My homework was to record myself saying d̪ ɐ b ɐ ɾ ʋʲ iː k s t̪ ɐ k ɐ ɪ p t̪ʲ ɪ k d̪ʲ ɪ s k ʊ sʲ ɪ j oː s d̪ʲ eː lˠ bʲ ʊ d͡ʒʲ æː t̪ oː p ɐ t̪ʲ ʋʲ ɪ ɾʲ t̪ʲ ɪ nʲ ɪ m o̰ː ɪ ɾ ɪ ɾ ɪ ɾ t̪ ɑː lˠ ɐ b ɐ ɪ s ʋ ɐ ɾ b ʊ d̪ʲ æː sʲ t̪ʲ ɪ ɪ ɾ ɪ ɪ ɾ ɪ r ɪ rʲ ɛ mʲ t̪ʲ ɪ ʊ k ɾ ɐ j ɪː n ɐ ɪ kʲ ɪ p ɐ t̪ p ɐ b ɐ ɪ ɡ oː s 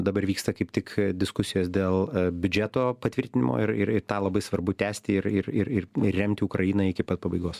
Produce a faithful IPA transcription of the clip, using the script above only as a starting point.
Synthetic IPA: d̪ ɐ b ɐ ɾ ʋʲ iː k s t̪ ɐ k ɐ ɪ p t̪ʲ ɪ k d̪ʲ ɪ s k ʊ sʲ ɪ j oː s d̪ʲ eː lˠ bʲ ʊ d͡ʒʲ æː t̪ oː p ɐ t̪ʲ ʋʲ ɪ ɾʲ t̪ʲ ɪ nʲ ɪ m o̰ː ɪ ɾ ɪ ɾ ɪ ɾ t̪ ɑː lˠ ɐ b ɐ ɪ s ʋ ɐ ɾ b ʊ t̪ʲ æː sʲ t̪ʲ ɪ ɪ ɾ ɪ ɪ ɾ ɪ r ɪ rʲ ɛ mʲ t̪ʲ ɪ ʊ k ɾ ɐ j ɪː n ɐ ɪ kʲ ɪ p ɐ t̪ p ɐ b ɐ ɪ ɡ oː s